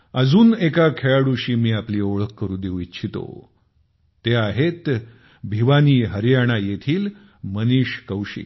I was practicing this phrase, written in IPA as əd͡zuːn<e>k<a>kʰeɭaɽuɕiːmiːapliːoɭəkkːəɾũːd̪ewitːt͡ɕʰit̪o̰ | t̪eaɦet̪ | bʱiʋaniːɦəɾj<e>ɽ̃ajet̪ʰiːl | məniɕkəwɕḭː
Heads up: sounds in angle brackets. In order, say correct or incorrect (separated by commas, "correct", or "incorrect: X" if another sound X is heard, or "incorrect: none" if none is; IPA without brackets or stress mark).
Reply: correct, correct, incorrect: a